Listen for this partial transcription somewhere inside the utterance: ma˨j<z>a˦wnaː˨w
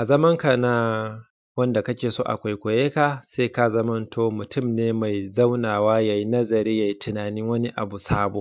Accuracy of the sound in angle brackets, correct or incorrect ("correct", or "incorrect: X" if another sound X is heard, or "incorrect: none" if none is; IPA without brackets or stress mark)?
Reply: correct